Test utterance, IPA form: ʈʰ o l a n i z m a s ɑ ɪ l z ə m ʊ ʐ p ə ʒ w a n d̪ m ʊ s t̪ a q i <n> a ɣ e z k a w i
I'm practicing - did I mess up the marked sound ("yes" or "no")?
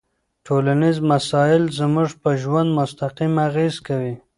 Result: yes